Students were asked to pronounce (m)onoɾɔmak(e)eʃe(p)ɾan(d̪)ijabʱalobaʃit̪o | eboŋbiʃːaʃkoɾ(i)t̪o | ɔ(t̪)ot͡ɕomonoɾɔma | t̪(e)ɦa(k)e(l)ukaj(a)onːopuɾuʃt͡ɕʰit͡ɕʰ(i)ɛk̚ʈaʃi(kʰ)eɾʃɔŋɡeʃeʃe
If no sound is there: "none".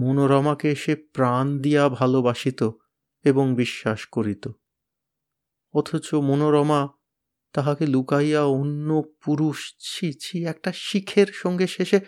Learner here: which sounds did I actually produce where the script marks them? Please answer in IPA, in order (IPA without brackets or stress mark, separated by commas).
m, e, p, d̪, i, t̪ʰ, a, k, l, a, i, kʰ